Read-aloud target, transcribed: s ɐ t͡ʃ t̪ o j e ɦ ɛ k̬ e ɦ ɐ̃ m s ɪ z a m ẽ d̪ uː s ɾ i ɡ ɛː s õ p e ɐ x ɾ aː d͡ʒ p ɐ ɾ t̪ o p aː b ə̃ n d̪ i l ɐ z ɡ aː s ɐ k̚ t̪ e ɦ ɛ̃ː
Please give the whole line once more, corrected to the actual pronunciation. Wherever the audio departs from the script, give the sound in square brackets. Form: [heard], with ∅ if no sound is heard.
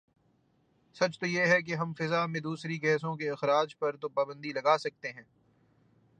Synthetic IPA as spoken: s ɐ t͡ʃ t̪ o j e ɦ ɛ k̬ e ɦ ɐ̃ m [f] ɪ z a m ẽ d̪ uː s ɾ i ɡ ɛː s õ [k] e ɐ x ɾ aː d͡ʒ p ɐ ɾ t̪ o p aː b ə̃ n d̪ i l ɐ [∅] ɡ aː s ɐ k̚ t̪ e ɦ ɛ̃ː